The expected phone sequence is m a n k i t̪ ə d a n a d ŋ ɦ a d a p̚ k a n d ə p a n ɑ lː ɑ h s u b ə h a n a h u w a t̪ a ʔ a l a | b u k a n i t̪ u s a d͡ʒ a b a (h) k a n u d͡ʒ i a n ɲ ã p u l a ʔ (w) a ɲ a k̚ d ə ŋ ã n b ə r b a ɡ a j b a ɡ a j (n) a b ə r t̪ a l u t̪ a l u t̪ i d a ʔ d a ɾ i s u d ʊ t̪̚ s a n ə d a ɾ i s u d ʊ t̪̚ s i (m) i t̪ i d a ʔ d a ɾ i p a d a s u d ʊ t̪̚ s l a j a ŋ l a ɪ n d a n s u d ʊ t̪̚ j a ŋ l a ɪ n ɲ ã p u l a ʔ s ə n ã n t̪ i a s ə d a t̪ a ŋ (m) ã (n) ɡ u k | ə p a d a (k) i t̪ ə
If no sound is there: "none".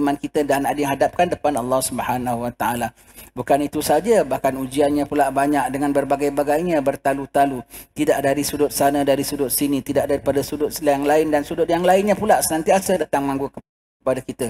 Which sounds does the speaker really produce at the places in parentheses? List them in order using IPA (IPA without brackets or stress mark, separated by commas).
h, b, ɲ, n, m, ŋ, k